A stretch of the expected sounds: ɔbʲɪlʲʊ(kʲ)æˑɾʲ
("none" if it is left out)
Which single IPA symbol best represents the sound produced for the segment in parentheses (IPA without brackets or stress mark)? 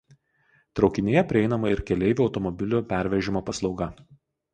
pʲ